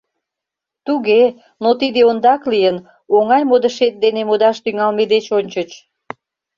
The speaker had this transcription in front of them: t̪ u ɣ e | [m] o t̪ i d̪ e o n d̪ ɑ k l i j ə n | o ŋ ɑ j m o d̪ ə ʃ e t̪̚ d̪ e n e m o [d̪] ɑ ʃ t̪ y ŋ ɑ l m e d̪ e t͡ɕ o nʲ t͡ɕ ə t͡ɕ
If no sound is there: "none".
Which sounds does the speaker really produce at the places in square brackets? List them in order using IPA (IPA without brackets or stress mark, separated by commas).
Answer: n, d̪